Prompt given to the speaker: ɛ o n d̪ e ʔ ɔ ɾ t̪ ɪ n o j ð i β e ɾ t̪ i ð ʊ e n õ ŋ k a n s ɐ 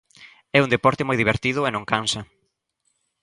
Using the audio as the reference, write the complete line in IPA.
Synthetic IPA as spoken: ɛ u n d̪ e p ɔ ɾ t̪ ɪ m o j ð i β e ɾ t̪ i ð ʊ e n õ ŋ k a n s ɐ